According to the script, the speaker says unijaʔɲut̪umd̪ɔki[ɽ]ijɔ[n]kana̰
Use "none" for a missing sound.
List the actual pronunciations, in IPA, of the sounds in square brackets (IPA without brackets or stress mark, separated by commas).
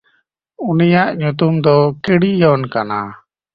ɽ, n